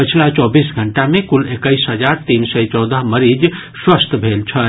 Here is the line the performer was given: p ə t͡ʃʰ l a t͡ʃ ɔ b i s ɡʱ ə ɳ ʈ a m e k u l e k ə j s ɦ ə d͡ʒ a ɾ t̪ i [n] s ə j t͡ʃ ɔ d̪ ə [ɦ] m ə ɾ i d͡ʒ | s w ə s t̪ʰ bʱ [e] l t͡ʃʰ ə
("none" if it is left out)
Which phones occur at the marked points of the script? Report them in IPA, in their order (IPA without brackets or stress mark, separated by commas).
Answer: n, ɦ, e